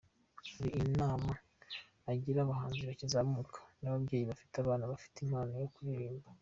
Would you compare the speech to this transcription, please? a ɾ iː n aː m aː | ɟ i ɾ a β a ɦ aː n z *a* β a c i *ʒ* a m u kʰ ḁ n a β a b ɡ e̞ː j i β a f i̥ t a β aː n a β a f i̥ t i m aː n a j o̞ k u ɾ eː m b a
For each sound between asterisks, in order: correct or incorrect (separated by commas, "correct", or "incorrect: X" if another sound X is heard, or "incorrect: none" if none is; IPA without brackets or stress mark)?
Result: incorrect: i, incorrect: z